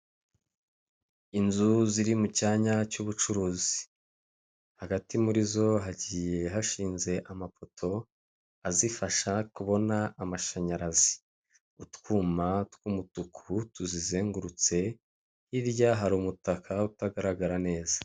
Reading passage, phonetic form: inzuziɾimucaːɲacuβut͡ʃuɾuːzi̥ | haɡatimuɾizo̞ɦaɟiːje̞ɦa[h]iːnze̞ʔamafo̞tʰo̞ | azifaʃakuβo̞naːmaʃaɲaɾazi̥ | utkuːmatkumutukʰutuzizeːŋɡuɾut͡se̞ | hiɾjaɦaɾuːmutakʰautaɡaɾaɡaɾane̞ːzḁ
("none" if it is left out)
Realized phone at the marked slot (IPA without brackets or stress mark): ʃ